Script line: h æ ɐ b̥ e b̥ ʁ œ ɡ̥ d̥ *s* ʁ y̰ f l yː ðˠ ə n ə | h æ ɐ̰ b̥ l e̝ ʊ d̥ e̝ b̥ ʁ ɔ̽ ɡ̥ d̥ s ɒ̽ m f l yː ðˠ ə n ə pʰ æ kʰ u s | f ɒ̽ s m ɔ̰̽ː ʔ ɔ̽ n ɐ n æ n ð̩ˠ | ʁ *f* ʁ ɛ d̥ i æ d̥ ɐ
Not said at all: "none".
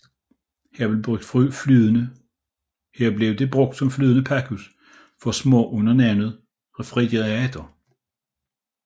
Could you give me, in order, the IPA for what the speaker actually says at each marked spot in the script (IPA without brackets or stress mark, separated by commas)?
f, f